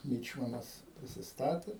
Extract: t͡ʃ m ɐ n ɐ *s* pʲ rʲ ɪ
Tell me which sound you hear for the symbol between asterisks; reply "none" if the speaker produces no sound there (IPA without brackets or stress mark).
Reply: s